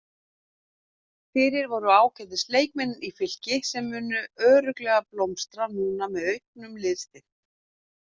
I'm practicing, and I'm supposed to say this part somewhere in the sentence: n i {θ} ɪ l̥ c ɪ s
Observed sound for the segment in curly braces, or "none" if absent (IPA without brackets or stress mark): f